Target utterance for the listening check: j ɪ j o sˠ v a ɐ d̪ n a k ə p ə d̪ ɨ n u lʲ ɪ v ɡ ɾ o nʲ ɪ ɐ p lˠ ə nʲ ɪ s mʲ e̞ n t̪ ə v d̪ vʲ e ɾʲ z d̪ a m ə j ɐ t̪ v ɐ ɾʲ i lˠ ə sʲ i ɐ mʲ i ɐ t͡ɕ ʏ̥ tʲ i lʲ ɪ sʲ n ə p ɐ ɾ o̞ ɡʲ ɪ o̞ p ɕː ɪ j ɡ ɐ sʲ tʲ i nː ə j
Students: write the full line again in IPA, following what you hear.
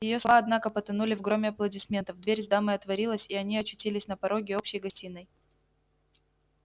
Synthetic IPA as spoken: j ɪ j o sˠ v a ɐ d̪ n a k ə p ə t̪ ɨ n u lʲ ɪ v ɡ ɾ o mʲ ɪ ɐ p lˠ ə dʲ ɪ s mʲ e̞ n t̪ ə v d̪ vʲ e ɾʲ z d̪ a m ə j ɐ t̪ v ɐ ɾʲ i lˠ ə sʲ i ɐ nʲ i ɐ t͡ɕ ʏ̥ tʲ i lʲ ɪ sʲ n ə p ɐ ɾ o̞ ɡʲ ɪ o̞ p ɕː ɪ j ɡ ɐ sʲ tʲ i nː ə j